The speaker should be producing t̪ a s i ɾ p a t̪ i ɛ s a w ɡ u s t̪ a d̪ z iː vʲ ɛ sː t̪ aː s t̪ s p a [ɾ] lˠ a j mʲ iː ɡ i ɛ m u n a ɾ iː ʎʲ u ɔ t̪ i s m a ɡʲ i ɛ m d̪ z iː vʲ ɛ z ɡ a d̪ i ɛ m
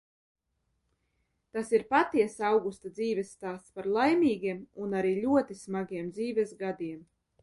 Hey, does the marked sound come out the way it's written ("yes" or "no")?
yes